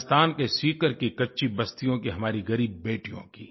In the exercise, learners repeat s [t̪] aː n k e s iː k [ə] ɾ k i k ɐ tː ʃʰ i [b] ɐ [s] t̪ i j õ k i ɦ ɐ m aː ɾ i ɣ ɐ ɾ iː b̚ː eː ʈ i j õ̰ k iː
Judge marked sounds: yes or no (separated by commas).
yes, yes, yes, yes